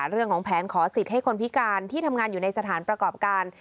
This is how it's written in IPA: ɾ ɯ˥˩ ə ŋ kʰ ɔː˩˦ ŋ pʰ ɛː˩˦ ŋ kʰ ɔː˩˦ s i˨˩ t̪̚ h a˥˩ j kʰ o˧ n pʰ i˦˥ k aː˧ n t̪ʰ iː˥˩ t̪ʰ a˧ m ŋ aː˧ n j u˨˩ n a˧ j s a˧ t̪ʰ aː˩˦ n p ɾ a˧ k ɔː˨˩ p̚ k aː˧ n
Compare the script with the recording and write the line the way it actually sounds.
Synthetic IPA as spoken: ɾ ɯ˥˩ ə ŋ kʰ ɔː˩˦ ŋ pʰ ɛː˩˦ n kʰ ɔː˩˦ s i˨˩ t̪̚ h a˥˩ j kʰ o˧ n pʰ i˦˥ k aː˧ n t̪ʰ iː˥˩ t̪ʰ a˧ m ŋ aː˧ n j uː˨˩ n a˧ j s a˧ t̪ʰ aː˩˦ n p ɾ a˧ k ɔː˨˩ p̚ k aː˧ n